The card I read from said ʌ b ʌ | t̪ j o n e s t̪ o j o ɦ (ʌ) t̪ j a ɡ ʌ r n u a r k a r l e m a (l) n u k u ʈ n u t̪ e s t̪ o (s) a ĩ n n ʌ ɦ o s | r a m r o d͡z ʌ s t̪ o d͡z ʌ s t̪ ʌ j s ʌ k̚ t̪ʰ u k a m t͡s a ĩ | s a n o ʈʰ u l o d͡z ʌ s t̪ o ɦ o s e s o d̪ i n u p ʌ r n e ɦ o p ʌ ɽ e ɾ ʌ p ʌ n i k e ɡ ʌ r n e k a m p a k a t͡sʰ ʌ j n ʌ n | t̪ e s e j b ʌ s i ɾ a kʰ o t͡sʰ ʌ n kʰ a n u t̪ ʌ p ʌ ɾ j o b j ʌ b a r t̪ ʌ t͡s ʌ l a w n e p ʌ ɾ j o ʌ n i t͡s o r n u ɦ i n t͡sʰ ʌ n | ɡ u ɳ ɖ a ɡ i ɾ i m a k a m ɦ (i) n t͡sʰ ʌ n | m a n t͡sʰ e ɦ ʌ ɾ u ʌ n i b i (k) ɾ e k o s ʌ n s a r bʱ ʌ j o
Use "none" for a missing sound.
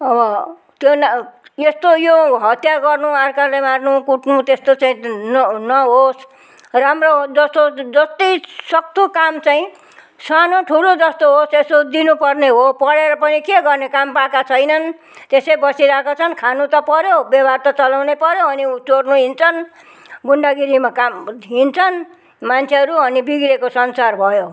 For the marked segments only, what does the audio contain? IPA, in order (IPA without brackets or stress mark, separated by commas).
ʌ, r, t͡s, i, ɡ